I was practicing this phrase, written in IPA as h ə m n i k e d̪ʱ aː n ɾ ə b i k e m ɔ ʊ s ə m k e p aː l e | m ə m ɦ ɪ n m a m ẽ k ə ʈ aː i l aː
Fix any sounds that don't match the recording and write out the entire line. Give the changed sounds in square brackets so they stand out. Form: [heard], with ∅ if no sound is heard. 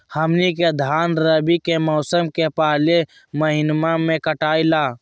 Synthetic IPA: h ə m n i k e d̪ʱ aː n ɾ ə b i k e m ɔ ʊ s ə m k e p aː l e | m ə [∅] ɦ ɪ n m a m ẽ k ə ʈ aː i l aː

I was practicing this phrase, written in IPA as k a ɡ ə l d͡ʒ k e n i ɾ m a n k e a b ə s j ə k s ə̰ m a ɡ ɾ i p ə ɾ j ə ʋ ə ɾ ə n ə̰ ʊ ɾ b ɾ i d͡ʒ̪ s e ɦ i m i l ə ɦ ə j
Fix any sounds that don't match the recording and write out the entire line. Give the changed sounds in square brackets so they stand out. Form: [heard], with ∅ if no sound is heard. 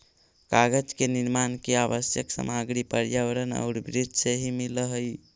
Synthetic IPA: k a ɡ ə [∅] d͡ʒ k e n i ɾ m a n k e a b ə s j ə k s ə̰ m a ɡ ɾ i p ə ɾ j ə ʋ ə ɾ ə n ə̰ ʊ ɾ b ɾ i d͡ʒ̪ s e ɦ i m i l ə ɦ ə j

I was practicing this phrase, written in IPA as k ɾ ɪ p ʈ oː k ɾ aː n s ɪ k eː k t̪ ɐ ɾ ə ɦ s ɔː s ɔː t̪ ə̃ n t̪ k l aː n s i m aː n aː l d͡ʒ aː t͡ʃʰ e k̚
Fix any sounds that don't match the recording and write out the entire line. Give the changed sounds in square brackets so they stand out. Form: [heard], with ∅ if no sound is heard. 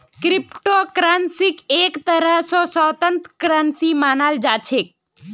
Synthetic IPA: k ɾ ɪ p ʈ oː k ɾ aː n s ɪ k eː k t̪ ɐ ɾ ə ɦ s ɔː s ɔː t̪ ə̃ n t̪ k [ɾ] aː n s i m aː n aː l d͡ʒ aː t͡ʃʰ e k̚

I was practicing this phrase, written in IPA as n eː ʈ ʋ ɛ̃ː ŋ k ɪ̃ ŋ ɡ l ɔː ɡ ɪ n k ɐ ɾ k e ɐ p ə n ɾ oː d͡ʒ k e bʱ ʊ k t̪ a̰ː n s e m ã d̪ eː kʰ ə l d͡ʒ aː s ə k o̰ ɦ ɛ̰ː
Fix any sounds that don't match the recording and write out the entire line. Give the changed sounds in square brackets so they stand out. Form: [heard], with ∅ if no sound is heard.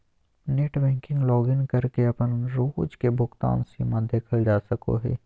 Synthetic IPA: n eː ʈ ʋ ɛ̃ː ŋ k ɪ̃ ŋ ɡ l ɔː ɡ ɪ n k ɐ ɾ k e ɐ p ə n ɾ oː d͡ʒ k e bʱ ʊ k t̪ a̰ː n s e m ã d̪ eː kʰ ə l d͡ʒ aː s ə k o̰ ɦ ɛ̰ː

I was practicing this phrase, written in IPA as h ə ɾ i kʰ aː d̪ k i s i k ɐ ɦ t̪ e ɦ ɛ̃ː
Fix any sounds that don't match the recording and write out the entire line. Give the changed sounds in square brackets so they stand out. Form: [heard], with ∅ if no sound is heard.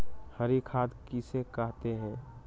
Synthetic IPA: h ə ɾ i kʰ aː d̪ k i s [e] k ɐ ɦ t̪ e ɦ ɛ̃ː

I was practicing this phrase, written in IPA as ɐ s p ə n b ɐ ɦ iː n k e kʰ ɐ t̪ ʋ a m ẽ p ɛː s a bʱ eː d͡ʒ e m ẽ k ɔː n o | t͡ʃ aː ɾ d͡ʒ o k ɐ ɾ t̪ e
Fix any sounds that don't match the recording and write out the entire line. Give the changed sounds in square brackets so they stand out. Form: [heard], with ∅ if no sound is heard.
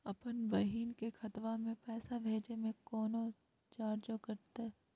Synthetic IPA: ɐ [∅] p ə n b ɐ ɦ iː n k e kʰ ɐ t̪ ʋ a m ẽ p ɛː s a bʱ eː d͡ʒ e m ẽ k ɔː n o | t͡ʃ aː ɾ d͡ʒ o k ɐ ɾ t̪ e

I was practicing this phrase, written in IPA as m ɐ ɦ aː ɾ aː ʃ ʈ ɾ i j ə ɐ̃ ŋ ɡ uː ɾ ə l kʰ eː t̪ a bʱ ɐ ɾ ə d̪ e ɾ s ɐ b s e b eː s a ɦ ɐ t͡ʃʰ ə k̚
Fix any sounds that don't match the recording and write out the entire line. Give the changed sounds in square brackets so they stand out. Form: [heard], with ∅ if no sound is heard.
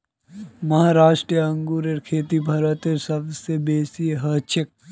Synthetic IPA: m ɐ ɦ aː ɾ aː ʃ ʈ ɾ i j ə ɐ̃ ŋ ɡ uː ɾ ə [ɾ] kʰ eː t̪ [i] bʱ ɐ ɾ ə [t̪] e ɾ s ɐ b s e b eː s [i] ɦ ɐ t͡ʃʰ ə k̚

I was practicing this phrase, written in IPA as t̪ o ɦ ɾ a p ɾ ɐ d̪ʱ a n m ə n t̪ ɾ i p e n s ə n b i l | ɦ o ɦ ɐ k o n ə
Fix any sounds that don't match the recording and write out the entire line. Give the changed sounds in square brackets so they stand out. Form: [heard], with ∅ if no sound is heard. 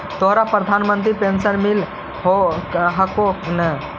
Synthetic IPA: t̪ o ɦ ɾ a p ɾ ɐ d̪ʱ a n m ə n t̪ ɾ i p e n s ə n [m] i l | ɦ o ɦ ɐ k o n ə

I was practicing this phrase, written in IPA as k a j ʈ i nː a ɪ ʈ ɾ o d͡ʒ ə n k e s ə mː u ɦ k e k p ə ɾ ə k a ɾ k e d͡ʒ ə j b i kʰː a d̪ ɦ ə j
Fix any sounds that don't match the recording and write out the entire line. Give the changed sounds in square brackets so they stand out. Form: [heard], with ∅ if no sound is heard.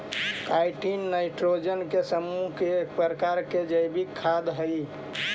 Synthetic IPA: k a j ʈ i nː a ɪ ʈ ɾ o d͡ʒ ə n k e s ə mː u ɦ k e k p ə ɾ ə k a ɾ k e d͡ʒ ə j b i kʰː a d̪ ɦ ə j

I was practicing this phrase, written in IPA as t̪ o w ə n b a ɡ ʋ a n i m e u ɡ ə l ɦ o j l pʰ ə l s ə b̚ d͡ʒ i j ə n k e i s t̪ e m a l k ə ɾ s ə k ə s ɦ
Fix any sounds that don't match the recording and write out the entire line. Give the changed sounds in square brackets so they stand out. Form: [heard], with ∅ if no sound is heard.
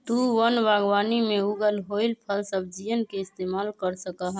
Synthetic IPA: t̪ [u] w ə n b a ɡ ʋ a n i m e u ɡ ə l ɦ o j l pʰ ə l s ə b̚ d͡ʒ i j ə n k e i s t̪ e m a l k ə ɾ s ə k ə [∅] ɦ

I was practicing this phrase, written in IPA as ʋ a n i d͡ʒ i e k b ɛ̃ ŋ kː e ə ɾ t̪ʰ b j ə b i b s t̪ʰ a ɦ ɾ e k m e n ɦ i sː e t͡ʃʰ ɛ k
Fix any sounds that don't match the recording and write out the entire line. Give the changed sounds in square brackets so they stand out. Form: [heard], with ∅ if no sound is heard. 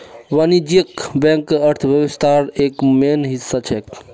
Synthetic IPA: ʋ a n i d͡ʒ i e k b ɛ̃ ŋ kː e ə ɾ t̪ʰ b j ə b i [∅] s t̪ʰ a [∅] ɾ e k m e n ɦ i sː [a] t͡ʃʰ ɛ k

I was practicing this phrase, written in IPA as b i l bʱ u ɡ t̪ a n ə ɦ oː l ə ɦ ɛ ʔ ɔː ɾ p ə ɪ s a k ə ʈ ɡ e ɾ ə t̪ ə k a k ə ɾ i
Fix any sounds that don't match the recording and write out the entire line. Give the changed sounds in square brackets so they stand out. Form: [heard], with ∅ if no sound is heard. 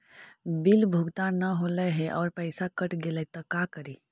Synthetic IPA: b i l bʱ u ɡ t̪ a n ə ɦ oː l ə ɦ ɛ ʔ ɔː ɾ p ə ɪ s a k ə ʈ ɡ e [l] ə t̪ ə k a k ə ɾ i

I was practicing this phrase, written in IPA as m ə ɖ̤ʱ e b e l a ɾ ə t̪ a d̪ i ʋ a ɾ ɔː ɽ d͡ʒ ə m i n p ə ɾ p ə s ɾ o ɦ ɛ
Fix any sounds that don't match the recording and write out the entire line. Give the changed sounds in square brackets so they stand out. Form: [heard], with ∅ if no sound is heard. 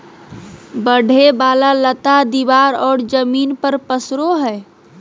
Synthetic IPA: [b] ə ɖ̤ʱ e b [a] l a [l] ə t̪ a d̪ i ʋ a ɾ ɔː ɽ d͡ʒ ə m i n p ə ɾ p ə s ɾ o ɦ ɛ

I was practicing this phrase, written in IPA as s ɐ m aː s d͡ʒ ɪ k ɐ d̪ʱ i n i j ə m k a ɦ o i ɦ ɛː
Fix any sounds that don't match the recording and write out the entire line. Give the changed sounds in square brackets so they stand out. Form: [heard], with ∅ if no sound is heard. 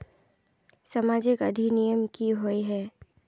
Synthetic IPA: s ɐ m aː [∅] d͡ʒ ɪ k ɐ d̪ʱ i n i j ə m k [i] ɦ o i ɦ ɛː

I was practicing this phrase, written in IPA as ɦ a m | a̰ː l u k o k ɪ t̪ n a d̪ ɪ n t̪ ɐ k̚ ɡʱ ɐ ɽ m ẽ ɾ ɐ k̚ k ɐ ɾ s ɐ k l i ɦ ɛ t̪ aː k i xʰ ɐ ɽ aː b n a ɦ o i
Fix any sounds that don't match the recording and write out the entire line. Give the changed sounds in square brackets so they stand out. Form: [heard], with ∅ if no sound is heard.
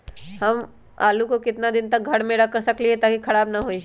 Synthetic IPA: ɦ [ɐ] m | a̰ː l u k o k ɪ t̪ n a d̪ ɪ n t̪ ɐ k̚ ɡʱ ɐ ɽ m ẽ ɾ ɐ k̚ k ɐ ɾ s ɐ k l i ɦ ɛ t̪ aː k i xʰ ɐ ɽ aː b n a ɦ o i

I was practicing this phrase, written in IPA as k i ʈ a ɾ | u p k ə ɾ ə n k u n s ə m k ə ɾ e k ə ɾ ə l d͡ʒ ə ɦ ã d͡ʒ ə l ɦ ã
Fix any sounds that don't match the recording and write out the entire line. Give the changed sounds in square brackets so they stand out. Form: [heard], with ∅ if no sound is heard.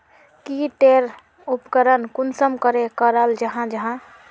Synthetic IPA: k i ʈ [e] ɾ | u p k ə ɾ ə n k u n s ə m k ə ɾ e k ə ɾ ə l d͡ʒ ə ɦ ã d͡ʒ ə [∅] ɦ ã

